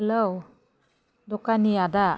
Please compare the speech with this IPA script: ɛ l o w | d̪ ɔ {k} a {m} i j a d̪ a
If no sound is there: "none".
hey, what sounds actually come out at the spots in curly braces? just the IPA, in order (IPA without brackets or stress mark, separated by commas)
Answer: k, n